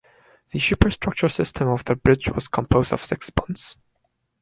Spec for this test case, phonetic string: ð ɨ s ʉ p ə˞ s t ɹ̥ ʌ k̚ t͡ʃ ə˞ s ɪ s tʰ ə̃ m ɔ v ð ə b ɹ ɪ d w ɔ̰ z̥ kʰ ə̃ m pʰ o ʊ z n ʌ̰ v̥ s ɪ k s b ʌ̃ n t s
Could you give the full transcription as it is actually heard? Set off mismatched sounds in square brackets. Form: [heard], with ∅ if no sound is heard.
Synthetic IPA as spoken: ð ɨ [ʃ] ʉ p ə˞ s t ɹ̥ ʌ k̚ t͡ʃ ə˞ s ɪ s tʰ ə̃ m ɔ v ð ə b ɹ ɪ [d͡ʒ] w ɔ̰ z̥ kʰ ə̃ m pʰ o ʊ z [d] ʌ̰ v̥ s ɪ k s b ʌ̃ n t s